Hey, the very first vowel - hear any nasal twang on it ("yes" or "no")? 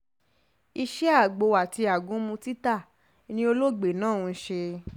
no